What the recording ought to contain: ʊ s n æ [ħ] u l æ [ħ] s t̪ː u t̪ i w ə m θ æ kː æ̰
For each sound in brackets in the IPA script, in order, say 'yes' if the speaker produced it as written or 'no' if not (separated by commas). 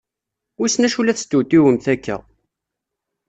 no, no